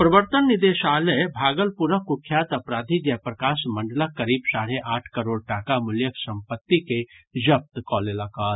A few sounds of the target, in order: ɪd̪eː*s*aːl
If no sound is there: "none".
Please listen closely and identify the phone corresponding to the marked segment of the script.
ʃ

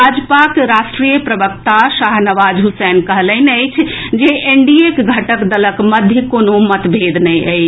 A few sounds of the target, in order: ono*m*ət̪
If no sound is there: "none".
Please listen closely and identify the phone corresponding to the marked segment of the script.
m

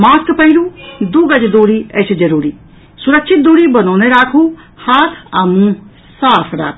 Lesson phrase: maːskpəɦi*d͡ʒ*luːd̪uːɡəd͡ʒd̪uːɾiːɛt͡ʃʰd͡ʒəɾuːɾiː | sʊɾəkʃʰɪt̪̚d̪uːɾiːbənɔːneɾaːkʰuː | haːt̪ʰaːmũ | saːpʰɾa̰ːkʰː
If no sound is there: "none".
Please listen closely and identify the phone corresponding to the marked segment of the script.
none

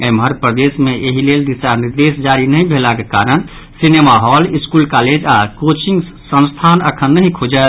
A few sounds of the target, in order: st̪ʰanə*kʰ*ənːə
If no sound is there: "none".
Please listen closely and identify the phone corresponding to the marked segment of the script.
kʰ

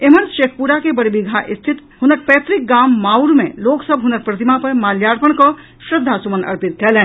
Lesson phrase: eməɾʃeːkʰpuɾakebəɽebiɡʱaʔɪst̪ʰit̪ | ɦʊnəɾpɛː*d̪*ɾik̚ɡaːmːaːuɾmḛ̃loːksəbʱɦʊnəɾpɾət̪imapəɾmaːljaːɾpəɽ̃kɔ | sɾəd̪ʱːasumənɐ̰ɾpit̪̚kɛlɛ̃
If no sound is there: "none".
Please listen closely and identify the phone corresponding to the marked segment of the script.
t̪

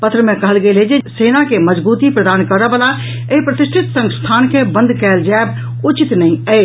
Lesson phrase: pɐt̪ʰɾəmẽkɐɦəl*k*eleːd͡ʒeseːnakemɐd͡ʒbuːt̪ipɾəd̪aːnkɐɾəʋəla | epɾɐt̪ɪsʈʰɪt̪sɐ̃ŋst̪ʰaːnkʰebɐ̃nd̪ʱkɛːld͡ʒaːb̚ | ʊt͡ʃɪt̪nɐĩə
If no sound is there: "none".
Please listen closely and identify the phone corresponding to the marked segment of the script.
ɡ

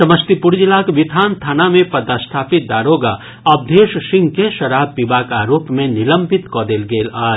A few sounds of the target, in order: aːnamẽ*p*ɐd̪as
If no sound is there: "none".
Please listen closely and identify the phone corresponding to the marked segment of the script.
p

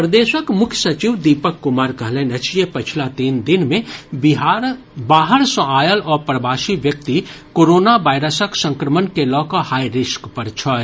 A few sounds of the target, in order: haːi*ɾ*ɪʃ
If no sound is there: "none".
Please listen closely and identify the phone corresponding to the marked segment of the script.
ɾ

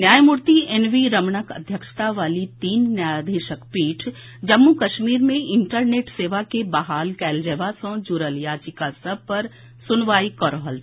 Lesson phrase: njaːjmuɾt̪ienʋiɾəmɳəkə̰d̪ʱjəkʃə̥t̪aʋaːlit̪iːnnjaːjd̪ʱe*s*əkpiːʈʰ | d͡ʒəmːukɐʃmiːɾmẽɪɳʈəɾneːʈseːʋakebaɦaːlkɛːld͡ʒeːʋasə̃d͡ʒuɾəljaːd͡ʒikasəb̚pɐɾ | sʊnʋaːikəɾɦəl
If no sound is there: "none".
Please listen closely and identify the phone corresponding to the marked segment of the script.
ʃ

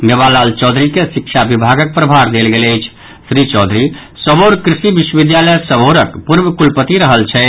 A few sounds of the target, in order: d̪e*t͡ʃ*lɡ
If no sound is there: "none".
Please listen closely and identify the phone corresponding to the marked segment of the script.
none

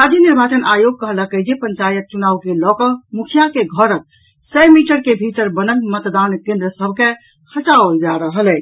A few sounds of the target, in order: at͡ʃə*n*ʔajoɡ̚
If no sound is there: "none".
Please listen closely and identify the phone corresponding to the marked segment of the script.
n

